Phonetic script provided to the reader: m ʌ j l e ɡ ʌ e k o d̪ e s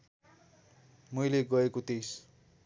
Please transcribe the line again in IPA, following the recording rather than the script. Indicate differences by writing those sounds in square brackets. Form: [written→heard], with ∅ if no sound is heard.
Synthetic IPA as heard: m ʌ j l e ɡ ʌ e k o [d̪→t̪] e s